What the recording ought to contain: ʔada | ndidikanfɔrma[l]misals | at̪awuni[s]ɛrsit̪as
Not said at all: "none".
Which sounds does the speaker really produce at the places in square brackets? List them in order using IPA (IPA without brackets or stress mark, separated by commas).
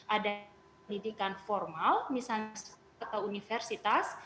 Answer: l, f